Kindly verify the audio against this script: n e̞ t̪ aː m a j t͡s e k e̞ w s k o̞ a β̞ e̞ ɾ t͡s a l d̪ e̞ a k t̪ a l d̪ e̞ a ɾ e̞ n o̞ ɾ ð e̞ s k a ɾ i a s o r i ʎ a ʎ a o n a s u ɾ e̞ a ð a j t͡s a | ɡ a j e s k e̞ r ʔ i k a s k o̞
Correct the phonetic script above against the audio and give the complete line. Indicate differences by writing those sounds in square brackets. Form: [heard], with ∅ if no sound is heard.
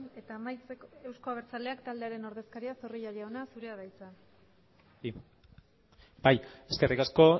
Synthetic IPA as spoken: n e̞ t̪ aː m a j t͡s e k e̞ w s k o̞ a β̞ e̞ ɾ t͡s a l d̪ e̞ a k t̪ a l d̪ e̞ a ɾ e̞ n o̞ ɾ ð e̞ s k a ɾ i a s o r i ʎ a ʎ a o n a s u ɾ e̞ a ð a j t͡s a | [b] a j e s k e̞ r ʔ i k a s k o̞